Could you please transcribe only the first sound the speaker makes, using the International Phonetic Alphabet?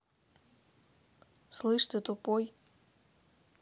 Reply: s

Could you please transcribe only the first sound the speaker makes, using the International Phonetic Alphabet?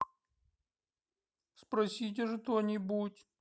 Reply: s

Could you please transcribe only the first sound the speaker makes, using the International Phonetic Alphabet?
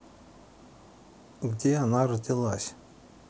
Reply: ɡ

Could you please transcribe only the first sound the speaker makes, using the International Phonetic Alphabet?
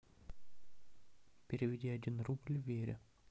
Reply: pʲ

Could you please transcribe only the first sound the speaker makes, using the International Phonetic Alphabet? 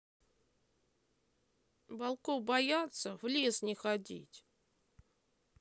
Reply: b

